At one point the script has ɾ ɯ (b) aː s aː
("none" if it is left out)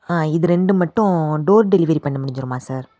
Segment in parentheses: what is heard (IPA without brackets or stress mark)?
m